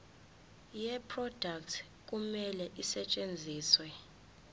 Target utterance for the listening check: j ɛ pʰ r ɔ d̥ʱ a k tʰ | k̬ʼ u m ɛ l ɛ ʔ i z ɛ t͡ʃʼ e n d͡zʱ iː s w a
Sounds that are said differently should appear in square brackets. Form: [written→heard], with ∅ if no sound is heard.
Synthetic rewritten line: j ɛ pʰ r ɔ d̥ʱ a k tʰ | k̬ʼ u m ɛ l ɛ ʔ i [z→s] ɛ t͡ʃʼ e n d͡zʱ iː s w [a→ɛ]